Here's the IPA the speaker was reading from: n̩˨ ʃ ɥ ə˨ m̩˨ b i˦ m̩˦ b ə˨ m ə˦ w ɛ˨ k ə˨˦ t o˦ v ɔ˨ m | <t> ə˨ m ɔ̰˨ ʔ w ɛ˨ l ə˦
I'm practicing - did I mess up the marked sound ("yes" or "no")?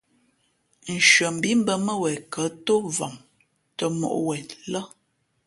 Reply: no